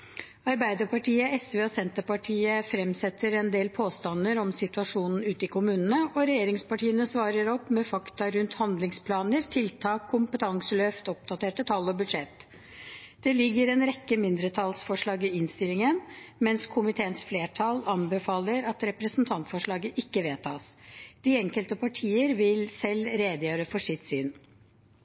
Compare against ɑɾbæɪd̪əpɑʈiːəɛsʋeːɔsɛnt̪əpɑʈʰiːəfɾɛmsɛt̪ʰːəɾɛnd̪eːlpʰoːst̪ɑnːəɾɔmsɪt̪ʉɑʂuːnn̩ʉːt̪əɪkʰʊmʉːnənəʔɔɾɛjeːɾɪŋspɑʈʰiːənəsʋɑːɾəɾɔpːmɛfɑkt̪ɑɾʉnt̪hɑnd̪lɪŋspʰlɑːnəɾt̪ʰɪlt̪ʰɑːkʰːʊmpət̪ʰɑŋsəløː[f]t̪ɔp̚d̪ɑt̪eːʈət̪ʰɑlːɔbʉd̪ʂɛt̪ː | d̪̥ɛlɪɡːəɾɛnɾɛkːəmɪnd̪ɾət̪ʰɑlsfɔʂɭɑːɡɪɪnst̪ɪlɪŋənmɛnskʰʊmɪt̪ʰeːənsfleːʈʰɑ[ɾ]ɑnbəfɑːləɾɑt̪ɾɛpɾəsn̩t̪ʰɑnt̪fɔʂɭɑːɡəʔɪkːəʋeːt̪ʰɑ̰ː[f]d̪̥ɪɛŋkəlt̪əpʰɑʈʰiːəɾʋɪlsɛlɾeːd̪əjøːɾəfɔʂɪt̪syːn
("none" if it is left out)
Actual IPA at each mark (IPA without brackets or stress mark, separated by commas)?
f, l, s